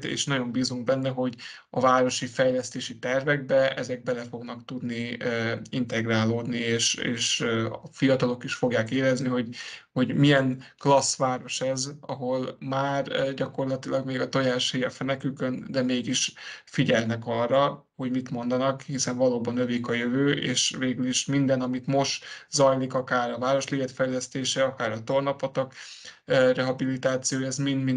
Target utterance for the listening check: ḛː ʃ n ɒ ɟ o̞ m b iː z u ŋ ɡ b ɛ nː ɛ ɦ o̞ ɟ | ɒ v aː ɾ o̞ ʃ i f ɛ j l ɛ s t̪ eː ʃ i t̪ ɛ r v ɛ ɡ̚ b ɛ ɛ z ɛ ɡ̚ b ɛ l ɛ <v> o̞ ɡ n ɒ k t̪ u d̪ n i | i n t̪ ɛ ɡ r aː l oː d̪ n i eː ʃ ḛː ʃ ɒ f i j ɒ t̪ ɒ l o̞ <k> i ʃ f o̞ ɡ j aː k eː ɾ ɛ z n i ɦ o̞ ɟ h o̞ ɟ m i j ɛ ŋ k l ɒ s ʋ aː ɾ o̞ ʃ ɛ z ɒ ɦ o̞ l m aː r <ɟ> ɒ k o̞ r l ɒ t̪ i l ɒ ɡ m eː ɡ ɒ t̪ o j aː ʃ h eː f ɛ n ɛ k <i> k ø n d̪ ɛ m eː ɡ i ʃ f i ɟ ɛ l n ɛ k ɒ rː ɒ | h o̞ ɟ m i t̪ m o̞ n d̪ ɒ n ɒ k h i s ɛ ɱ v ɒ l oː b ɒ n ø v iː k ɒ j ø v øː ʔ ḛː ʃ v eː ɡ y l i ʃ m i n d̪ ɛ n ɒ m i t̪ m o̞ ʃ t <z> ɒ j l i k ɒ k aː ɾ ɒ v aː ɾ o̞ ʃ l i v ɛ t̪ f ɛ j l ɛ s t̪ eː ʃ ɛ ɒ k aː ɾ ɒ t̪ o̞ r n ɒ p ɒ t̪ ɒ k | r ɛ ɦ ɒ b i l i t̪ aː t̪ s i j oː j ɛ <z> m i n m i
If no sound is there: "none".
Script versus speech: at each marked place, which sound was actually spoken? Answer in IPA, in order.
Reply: f, k, ɟ, y, z, z

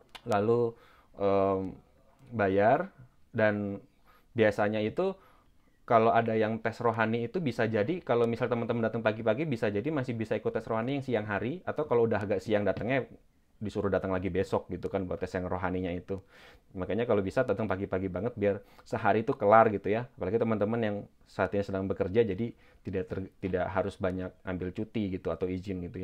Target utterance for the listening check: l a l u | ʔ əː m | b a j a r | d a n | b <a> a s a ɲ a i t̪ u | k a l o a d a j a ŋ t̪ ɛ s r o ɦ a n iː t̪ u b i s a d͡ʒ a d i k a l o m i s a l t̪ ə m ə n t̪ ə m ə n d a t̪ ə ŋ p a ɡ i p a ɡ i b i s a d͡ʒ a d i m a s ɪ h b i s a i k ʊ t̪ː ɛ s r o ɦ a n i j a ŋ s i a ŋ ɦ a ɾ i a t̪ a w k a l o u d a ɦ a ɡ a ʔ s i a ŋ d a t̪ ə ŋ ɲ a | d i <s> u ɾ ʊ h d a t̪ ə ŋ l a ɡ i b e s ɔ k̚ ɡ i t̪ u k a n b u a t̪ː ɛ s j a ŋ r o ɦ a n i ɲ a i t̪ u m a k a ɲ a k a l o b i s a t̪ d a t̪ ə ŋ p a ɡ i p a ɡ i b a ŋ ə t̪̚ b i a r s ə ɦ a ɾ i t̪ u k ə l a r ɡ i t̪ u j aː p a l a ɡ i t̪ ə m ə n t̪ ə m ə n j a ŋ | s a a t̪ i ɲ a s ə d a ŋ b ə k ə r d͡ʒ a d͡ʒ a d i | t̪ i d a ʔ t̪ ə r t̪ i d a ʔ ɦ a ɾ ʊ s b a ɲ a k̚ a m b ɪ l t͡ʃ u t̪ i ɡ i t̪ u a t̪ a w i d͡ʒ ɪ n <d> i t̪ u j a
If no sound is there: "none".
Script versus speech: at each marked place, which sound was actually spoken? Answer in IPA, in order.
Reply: i, s, ɡ

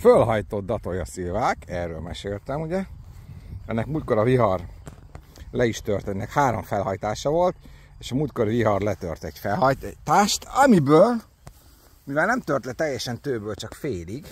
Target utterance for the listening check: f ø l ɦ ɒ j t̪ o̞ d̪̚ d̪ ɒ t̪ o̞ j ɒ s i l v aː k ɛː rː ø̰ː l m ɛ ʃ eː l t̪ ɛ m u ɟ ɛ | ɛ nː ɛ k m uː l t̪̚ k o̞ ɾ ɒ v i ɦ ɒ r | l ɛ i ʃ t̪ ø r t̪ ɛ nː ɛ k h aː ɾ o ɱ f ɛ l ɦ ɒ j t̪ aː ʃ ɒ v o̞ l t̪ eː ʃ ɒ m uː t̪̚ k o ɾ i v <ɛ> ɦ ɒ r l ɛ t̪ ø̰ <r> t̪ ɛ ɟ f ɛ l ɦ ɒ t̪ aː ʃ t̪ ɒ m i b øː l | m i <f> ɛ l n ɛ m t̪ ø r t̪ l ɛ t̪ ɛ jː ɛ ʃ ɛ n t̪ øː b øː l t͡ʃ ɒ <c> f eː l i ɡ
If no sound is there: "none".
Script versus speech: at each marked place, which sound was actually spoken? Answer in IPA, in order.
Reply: i, r, v, k

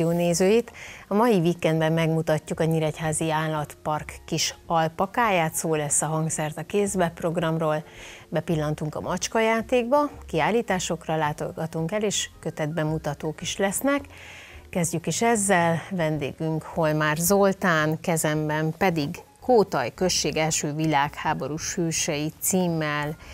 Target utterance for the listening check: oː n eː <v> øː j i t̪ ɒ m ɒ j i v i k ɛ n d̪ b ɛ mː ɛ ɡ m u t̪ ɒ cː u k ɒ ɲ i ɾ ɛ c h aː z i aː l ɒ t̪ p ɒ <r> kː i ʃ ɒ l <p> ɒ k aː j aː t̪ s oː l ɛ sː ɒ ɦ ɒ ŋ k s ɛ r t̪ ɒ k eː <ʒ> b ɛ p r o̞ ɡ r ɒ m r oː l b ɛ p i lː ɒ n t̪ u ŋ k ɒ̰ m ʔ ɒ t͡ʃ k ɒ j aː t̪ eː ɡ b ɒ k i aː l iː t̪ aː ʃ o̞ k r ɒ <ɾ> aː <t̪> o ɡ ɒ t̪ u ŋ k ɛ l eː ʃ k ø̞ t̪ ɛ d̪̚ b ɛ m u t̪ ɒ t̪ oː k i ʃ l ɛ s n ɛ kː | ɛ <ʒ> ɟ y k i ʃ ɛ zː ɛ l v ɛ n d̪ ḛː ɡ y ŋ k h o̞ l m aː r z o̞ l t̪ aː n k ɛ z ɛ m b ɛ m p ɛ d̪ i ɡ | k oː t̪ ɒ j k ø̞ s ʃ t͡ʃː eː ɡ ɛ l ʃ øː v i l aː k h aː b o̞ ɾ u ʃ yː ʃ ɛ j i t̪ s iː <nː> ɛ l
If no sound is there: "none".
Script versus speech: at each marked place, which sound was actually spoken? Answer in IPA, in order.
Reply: z, r, p, z, l, t̪, z, mː

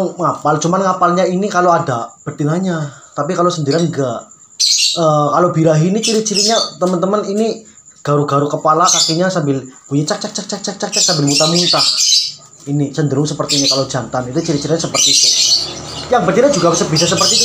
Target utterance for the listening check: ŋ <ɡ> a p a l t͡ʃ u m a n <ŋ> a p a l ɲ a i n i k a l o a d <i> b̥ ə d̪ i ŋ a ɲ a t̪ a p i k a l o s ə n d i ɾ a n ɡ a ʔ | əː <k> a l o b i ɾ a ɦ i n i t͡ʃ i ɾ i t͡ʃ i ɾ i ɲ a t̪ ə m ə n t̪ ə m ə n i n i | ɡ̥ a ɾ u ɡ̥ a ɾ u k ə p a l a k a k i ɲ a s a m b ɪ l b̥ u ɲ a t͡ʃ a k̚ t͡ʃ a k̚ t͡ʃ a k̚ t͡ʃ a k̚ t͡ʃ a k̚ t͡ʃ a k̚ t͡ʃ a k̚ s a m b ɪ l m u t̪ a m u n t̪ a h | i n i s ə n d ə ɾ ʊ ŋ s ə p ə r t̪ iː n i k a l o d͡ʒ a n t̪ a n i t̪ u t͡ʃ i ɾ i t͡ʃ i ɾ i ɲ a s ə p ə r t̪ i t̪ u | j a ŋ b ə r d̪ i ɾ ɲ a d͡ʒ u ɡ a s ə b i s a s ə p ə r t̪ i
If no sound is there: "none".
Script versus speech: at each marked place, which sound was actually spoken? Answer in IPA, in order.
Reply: ŋ, ŋ, a, k

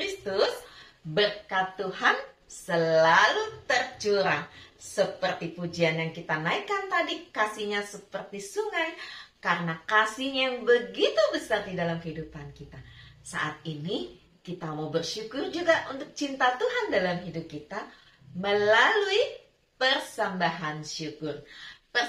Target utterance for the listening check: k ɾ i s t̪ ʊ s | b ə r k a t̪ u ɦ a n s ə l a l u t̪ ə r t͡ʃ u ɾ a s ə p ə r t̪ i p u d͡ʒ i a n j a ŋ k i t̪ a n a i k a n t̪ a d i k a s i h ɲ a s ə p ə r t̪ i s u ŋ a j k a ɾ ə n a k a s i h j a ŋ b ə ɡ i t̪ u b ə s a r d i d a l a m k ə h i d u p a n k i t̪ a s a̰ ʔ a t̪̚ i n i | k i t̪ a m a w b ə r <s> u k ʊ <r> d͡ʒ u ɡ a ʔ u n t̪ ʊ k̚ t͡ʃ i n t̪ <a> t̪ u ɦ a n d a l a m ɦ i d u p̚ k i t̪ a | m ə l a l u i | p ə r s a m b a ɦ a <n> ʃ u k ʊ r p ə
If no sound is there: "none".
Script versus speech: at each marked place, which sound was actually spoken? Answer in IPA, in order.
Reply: ʃ, r, a, n

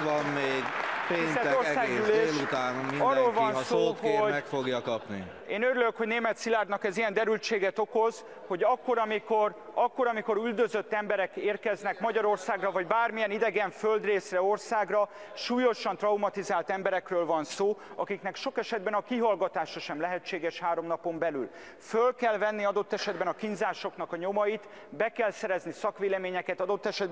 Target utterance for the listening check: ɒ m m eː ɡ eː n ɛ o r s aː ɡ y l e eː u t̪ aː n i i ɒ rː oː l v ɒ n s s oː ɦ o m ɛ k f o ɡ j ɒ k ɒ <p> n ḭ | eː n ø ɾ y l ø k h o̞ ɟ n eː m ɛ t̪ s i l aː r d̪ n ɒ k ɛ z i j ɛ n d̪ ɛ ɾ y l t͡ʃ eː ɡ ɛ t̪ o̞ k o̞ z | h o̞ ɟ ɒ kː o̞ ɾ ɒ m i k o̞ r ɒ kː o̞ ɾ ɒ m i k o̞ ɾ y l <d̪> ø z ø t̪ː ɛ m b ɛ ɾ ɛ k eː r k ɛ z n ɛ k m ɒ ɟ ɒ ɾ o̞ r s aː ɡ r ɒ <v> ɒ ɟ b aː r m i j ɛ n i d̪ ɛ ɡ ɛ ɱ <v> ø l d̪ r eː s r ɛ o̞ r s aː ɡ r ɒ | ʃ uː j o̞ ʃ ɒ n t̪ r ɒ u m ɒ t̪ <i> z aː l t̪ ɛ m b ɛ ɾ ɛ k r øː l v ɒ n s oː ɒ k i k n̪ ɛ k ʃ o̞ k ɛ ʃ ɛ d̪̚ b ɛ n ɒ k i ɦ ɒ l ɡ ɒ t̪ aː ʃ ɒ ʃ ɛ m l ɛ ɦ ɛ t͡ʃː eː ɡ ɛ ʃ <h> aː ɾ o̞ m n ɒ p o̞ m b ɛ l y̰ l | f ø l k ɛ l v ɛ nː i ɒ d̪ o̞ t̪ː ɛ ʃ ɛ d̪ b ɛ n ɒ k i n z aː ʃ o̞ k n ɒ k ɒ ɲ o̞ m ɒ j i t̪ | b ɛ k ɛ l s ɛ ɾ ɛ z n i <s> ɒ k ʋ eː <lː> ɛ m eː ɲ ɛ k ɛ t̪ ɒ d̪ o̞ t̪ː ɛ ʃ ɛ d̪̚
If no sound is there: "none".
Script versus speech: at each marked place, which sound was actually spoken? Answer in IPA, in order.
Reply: p, d̪, v, f, i, h, s, l

